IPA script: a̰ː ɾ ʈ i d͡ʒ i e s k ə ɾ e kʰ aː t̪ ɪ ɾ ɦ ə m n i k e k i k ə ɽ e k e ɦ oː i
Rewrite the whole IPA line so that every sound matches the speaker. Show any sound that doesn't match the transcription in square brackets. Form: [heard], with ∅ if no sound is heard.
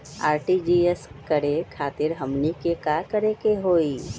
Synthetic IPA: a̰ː ɾ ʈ i d͡ʒ i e s k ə ɾ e kʰ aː t̪ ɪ ɾ ɦ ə m n i k e k [a] k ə [ɾ] e k e ɦ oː i